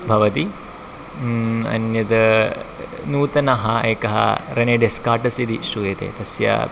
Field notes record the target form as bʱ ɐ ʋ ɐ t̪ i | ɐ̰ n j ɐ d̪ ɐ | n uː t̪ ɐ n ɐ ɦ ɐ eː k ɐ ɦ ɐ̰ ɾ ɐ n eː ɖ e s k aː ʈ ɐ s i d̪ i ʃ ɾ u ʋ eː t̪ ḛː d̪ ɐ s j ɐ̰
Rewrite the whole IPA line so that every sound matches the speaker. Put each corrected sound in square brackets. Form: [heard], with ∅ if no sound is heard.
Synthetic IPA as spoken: bʱ ɐ ʋ ɐ t̪ i | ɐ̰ n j ɐ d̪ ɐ | n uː t̪ ɐ n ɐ ɦ ɐ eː k ɐ ɦ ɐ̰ ɾ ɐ n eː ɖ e s k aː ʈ ɐ s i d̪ i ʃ ɾ u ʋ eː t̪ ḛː [t̪] ɐ s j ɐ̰